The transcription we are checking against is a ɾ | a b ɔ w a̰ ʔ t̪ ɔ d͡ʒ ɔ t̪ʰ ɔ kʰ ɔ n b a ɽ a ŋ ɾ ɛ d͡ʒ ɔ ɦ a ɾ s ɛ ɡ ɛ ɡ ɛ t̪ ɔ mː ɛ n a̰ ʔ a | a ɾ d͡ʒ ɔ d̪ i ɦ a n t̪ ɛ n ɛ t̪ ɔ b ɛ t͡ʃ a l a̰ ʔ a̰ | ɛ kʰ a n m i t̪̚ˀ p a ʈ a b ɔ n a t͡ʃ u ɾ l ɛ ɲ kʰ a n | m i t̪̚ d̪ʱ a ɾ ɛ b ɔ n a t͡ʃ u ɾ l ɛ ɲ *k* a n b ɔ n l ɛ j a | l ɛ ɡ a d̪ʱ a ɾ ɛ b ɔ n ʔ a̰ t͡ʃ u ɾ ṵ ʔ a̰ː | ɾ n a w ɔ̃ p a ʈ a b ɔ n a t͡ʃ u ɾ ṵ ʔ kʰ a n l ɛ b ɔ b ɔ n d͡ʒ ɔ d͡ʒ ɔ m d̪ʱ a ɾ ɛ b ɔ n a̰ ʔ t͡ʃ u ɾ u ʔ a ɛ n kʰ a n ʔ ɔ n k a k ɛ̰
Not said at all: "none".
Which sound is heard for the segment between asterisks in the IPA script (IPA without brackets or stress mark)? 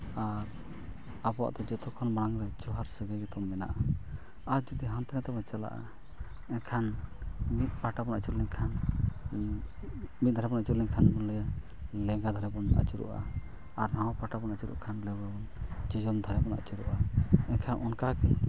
kʰ